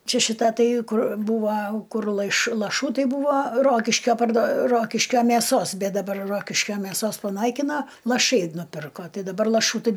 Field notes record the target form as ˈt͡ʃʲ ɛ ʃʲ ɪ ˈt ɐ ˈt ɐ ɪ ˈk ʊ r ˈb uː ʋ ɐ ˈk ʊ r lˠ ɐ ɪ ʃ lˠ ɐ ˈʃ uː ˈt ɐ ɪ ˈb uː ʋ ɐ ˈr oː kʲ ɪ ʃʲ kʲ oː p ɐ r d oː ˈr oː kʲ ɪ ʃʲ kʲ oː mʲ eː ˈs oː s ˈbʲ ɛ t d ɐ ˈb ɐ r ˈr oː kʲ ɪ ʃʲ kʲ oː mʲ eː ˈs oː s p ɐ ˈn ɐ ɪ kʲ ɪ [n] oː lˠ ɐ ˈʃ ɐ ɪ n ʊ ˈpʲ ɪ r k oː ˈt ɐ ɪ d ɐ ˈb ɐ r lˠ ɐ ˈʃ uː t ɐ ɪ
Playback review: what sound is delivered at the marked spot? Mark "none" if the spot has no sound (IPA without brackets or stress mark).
n